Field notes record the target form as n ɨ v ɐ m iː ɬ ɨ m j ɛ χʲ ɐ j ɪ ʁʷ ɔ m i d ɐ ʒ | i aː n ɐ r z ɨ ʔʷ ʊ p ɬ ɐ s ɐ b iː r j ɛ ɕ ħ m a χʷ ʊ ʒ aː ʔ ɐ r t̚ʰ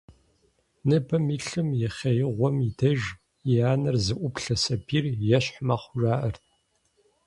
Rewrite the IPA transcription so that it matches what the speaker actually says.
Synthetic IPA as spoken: n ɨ b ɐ m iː ɬ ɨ m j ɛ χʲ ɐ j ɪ ʁʷ ɔ m i d ɐ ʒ | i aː n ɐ r z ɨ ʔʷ ʊ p ɬ ɐ s ɐ b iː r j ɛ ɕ ħ m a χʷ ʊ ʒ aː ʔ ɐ r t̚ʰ